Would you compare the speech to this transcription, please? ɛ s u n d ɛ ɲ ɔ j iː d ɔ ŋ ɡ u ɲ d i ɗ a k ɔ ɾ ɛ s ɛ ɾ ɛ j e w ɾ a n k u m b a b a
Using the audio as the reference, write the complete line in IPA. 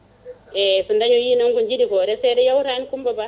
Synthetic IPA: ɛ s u n d a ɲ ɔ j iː n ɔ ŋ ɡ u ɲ d͡ʒ i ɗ i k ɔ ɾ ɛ s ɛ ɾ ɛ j a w ɾ a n k u m b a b a